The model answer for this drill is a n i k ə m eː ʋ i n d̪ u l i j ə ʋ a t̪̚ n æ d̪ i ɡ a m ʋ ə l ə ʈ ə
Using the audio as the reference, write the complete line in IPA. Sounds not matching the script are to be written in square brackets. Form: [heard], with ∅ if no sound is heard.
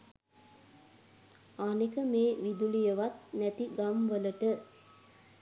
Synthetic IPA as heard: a n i k ə m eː ʋ i [∅] d̪ u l i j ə ʋ a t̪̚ n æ [t̪] i ɡ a m ʋ ə l ə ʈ ə